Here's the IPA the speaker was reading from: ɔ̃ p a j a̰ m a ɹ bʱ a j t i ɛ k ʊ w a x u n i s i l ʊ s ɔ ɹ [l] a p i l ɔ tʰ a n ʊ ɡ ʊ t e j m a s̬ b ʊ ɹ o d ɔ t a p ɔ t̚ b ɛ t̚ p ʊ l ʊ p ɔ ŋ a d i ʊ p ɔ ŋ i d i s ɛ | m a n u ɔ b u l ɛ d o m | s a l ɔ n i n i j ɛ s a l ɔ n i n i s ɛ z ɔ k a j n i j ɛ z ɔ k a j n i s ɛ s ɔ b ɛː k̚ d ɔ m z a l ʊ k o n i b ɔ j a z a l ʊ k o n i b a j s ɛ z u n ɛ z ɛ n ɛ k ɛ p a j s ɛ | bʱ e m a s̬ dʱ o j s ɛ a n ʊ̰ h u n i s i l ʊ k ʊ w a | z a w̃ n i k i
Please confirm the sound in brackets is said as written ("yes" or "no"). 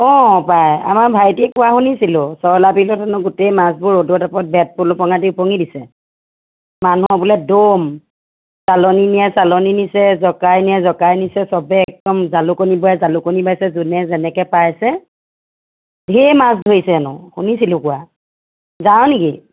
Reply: yes